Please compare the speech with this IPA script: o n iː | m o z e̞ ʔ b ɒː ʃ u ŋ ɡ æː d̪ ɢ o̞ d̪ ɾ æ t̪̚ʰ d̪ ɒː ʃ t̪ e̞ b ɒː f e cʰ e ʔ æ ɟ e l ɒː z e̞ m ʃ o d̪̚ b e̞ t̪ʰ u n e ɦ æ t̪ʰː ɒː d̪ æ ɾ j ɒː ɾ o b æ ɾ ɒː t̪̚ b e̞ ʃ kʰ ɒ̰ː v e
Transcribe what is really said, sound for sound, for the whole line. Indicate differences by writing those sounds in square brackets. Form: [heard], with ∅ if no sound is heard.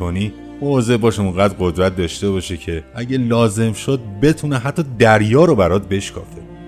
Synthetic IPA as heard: o n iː | m o z e̞ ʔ b ɒː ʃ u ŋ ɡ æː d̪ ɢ o̞ d̪ ɾ æ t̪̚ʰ d̪ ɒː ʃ t̪ e̞ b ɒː [ʃ] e cʰ e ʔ æ ɟ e l ɒː z e̞ m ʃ o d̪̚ b e̞ t̪ʰ u n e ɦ æ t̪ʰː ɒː d̪ æ ɾ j ɒː ɾ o b æ ɾ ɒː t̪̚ b e̞ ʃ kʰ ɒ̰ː [f] e